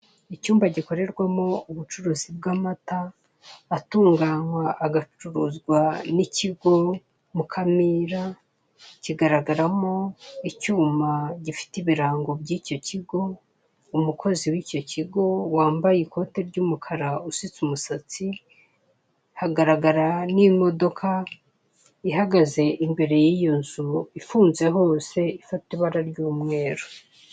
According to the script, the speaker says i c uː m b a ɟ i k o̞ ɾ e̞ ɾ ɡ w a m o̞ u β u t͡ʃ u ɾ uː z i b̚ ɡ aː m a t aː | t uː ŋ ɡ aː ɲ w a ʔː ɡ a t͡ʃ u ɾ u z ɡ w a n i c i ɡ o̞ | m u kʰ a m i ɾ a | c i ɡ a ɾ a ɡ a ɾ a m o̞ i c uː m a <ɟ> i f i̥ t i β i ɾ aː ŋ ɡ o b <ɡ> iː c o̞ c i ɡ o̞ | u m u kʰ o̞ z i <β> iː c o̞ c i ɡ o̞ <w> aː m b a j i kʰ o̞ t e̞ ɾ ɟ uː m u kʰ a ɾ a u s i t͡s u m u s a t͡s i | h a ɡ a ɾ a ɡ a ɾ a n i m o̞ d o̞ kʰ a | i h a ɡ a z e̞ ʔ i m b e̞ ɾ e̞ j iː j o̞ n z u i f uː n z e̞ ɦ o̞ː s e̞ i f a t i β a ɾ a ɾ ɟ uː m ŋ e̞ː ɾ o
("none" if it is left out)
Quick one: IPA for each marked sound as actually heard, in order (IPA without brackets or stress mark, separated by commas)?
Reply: ɟ, ɟ, w, w